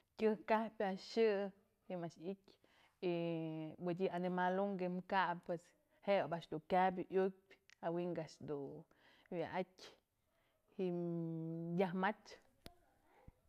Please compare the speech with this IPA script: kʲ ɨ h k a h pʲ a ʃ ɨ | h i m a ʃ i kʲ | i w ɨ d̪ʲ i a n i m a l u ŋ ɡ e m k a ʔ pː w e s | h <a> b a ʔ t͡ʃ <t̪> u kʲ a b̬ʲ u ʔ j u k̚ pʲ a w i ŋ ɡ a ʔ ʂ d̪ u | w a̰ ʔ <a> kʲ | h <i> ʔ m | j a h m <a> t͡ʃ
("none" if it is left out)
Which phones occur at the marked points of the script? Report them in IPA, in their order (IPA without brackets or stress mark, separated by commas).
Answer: e, d̪, a, i, a